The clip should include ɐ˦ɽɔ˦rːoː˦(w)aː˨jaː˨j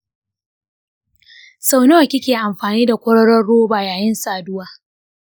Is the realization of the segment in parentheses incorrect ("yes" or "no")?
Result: yes